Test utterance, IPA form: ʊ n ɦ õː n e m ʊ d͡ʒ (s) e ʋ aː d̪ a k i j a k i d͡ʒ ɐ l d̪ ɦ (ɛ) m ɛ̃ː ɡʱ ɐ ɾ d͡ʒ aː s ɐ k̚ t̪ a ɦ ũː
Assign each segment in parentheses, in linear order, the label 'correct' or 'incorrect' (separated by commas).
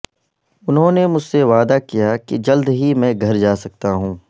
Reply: correct, incorrect